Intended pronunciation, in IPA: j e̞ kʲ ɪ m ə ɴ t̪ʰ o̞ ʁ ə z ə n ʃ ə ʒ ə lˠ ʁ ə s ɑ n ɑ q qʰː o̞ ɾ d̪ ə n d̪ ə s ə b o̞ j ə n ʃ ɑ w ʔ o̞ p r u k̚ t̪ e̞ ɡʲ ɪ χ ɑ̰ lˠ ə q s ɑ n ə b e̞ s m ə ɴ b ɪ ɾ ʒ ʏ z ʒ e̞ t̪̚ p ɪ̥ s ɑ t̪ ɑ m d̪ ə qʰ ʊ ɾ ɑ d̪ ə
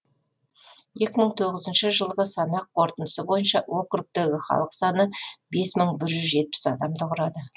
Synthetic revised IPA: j e̞ kʲ ɪ m ə ɴ t̪ʰ o̞ ʁ ə z ə n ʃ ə ʒ ə lˠ ʁ ə s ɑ n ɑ q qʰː o̞ ɾ t̪ ə n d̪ ə s ə b o̞ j ə n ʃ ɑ w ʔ o̞ k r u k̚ t̪ e̞ ɡʲ ɪ χ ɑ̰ lˠ ə q s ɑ n ə b e̞ s m ə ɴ b ɪ ɾ ʒ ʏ z ʒ e̞ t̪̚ p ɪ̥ s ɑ d̪ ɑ m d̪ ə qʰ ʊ ɾ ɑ d̪ ə